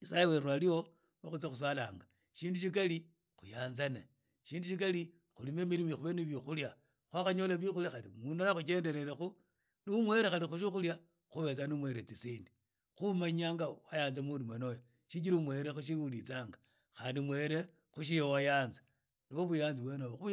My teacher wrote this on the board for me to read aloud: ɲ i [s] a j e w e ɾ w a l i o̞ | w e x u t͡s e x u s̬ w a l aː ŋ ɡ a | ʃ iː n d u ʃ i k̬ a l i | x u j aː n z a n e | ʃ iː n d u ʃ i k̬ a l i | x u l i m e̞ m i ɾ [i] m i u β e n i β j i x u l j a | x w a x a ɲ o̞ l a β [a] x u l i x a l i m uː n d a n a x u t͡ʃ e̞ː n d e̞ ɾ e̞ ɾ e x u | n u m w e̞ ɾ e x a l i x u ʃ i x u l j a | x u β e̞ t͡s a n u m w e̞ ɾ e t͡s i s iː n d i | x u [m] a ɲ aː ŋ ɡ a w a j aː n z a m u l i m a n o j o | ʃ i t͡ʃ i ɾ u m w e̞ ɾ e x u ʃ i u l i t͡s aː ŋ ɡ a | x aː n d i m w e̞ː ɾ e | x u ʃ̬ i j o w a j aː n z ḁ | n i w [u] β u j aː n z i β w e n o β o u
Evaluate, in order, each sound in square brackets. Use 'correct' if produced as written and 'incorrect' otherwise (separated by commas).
correct, correct, incorrect, correct, incorrect